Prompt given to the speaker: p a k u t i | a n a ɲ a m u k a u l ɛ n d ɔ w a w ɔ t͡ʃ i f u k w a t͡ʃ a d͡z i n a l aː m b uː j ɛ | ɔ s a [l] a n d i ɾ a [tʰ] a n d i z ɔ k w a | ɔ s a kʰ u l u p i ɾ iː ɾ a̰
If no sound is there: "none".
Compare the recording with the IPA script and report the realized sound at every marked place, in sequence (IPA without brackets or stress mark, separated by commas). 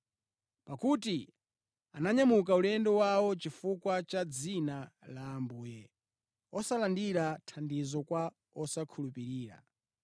l, tʰ